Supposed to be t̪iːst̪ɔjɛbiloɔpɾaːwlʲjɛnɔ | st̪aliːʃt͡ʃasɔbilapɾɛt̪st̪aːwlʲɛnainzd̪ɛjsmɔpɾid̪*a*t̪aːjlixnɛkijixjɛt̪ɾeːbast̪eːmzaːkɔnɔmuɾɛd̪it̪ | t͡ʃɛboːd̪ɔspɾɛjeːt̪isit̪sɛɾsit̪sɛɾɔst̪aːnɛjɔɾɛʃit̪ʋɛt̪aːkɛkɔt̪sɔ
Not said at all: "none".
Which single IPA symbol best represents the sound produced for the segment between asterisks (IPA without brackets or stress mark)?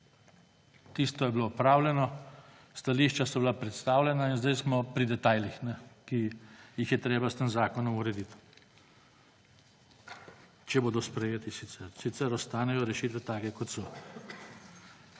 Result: ɛ